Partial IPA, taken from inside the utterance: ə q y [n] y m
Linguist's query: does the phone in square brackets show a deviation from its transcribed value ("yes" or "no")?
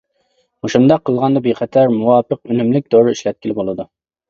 no